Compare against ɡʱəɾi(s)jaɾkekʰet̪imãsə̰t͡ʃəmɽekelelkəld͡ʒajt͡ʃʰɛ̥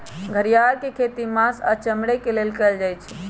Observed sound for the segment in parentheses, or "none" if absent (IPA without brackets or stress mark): none